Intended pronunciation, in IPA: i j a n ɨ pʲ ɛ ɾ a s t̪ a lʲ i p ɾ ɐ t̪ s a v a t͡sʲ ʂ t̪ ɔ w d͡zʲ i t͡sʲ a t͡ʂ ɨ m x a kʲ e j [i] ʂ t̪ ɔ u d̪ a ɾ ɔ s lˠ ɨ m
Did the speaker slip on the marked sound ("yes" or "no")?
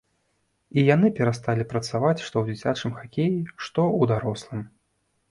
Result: no